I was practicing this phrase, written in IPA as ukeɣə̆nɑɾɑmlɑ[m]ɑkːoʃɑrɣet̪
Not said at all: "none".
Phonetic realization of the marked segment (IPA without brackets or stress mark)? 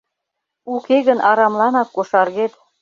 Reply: n